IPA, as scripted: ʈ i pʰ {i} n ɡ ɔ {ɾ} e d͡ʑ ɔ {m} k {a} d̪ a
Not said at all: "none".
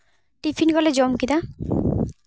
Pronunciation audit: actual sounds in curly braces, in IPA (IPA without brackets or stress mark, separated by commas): i, l, m, i